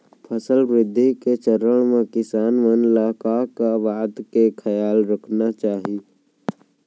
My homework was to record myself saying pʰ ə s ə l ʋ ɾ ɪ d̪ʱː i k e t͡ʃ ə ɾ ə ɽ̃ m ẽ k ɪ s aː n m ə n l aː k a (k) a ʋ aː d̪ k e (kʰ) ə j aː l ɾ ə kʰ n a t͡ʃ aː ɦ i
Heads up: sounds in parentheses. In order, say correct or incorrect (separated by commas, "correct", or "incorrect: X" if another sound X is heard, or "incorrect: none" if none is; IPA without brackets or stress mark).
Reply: correct, correct